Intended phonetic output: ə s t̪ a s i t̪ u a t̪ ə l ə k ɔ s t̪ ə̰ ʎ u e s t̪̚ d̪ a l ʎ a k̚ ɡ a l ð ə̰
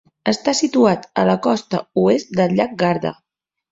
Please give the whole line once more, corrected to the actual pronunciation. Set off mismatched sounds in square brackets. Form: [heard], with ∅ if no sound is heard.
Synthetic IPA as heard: ə s t̪ a s i t̪ u a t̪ ə l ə k ɔ s t̪ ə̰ [∅] u e s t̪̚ d̪ [ə] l ʎ a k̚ ɡ a [ɾ] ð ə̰